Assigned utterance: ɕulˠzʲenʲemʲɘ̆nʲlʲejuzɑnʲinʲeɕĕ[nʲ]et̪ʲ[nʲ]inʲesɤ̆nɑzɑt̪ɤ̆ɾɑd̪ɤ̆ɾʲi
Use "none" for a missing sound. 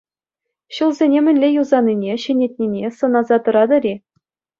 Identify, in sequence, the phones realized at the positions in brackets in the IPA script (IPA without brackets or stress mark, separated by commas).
nʲ, nʲ